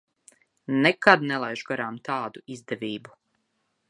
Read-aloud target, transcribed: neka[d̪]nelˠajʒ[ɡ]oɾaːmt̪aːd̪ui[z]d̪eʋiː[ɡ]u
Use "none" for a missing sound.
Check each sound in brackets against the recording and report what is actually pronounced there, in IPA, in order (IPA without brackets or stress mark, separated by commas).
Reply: d̪, ɡ, z, b